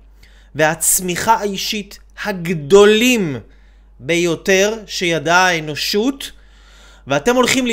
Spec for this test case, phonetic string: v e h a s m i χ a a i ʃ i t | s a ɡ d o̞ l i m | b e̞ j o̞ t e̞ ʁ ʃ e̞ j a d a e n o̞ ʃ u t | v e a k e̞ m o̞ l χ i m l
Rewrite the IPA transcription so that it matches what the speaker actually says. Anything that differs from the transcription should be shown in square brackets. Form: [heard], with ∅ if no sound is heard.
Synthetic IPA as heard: v e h a [t͡s] m i χ a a i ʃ i t | [h] a ɡ d o̞ l i m | b e̞ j o̞ t e̞ ʁ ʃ e̞ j a d a e n o̞ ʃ u t | v e a [t] e̞ m o̞ l χ i m l